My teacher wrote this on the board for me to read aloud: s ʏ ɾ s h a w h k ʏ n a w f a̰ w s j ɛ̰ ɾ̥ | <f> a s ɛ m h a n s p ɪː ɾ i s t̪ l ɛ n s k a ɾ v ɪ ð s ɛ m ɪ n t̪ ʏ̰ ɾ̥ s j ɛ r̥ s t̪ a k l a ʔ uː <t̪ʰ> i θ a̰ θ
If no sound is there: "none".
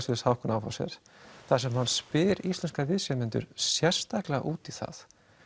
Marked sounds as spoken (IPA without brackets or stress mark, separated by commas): θ, t̪